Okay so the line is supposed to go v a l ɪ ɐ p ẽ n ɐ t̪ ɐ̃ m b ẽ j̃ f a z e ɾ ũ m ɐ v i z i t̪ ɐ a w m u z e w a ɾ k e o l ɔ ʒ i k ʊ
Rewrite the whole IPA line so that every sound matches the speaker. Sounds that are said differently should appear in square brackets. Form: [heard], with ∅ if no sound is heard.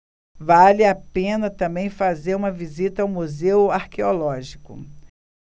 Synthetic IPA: v a l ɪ [a] p ẽ n ɐ t̪ ɐ̃ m b ẽ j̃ f a z e ɾ ũ m ɐ v i z i t̪ ɐ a w m u z e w a ɾ k e o l ɔ ʒ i k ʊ